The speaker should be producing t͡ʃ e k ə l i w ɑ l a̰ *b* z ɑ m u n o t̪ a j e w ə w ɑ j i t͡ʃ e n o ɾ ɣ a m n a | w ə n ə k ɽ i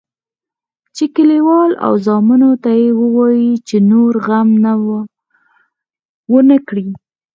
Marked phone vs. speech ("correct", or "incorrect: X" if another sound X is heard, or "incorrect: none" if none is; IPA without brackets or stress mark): incorrect: w